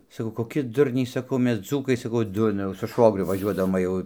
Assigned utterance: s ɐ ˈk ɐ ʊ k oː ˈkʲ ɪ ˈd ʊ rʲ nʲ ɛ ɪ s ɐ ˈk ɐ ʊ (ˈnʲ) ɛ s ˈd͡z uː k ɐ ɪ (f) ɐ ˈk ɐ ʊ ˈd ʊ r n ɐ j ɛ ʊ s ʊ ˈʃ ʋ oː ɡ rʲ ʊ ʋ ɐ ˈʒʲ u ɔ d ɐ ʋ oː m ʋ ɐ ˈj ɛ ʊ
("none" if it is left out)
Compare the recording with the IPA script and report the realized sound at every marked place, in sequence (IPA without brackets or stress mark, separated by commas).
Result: mʲ, s